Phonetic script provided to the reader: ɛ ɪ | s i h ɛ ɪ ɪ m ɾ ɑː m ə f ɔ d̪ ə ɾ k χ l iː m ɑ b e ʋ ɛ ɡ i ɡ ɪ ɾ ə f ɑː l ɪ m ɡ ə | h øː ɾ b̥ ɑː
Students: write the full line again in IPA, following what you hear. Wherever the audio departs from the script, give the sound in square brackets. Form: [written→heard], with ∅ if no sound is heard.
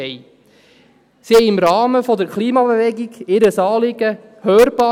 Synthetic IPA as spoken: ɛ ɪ | s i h ɛ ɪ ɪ m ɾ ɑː m ə f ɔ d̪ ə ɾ k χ l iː m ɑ b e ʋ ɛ ɡ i ɡ ɪ ɾ ə [f→s] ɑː l ɪ [m→∅] ɡ ə | h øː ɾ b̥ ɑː